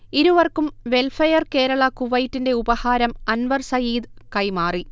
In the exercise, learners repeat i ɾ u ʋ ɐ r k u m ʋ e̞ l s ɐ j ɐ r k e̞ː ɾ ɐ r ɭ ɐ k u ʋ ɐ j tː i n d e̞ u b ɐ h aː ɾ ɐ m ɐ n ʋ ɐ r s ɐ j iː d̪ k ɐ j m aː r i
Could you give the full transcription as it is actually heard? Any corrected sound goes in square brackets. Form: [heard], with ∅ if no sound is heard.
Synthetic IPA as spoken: i ɾ u ʋ ɐ r k u m ʋ e̞ l [f] ɐ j ɐ r k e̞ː ɾ ɐ [∅] ɭ ɐ k u ʋ ɐ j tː i n d e̞ u b ɐ h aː ɾ ɐ m ɐ n ʋ ɐ r s ɐ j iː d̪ k ɐ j m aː r i